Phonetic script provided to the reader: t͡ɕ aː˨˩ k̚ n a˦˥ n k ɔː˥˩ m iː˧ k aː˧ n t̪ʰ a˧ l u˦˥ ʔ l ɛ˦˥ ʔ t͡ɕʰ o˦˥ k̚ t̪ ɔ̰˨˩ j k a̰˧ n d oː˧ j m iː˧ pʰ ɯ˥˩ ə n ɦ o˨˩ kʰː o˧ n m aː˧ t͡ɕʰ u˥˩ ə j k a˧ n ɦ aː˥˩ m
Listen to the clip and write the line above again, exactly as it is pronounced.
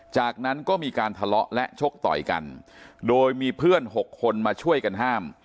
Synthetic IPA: t͡ɕ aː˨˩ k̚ n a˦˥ n k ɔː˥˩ m iː˧ k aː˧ n t̪ʰ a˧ l ɔ˦˥ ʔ l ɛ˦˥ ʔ t͡ɕʰ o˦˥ k̚ t̪ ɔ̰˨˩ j k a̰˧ n d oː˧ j m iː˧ pʰ ɯ˥˩ ə n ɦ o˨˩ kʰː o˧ n m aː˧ t͡ɕʰ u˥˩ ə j k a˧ n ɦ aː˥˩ m